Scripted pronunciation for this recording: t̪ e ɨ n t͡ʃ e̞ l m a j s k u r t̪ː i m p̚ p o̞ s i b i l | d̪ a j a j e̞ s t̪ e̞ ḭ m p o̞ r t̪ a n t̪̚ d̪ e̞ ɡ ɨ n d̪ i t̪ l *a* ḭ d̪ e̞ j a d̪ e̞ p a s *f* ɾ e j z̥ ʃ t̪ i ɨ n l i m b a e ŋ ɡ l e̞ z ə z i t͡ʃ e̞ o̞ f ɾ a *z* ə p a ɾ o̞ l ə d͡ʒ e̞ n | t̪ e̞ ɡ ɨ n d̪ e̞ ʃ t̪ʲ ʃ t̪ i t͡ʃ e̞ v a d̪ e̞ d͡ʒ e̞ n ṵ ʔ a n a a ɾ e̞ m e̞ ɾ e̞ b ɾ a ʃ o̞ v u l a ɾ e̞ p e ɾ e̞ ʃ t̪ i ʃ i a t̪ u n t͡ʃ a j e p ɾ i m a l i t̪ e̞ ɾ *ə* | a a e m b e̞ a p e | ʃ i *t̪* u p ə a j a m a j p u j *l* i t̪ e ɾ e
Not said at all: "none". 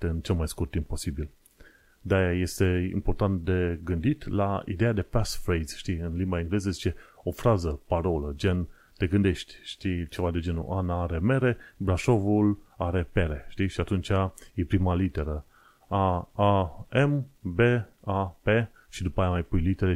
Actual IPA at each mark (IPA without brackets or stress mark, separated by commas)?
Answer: a, f, z, ə, d̪, l